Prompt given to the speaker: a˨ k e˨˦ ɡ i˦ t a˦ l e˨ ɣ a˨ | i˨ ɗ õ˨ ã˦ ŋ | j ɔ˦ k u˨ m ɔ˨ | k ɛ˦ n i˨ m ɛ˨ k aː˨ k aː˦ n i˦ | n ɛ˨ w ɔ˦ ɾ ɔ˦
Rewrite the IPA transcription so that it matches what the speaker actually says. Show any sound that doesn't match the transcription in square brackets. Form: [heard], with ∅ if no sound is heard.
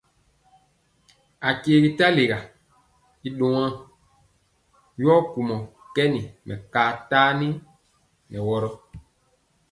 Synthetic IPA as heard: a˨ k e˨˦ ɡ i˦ t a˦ l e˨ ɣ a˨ | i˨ ɗ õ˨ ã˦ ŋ | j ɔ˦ k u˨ m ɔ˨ | k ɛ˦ n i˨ m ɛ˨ k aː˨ [t] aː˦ n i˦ | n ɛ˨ w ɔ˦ ɾ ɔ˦